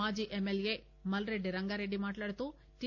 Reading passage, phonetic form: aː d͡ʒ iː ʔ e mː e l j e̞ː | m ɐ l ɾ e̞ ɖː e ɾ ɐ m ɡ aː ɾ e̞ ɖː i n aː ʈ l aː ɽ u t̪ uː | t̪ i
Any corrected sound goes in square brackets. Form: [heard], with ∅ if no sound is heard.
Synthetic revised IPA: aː d͡ʒ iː ʔ e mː e l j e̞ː | m ɐ l ɾ e̞ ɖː [i] ɾ ɐ [ŋ] ɡ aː ɾ e̞ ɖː i [m] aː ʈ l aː ɽ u t̪ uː | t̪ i